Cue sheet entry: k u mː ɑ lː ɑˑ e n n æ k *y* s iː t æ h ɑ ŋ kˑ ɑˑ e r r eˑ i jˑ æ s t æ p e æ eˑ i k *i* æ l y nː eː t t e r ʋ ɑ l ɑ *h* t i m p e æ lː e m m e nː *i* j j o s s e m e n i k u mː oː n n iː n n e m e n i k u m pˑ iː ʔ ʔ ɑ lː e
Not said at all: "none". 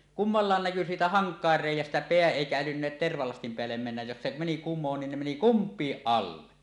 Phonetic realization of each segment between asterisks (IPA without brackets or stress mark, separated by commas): y, æ, s, æ